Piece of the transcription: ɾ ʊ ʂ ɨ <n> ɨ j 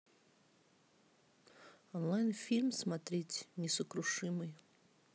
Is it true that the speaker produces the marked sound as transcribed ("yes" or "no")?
no